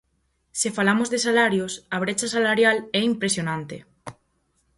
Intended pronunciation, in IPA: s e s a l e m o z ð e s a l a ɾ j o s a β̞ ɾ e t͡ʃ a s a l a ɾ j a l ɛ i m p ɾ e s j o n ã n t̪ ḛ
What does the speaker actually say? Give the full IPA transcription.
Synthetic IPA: s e f a l a m o z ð e s a l a ɾ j o s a β̞ ɾ e t͡ʃ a s a l a ɾ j a l ɛ i m p ɾ e s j o n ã n t̪ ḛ